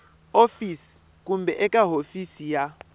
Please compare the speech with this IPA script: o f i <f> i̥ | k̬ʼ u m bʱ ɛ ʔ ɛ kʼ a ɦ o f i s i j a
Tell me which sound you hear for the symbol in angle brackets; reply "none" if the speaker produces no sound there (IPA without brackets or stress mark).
s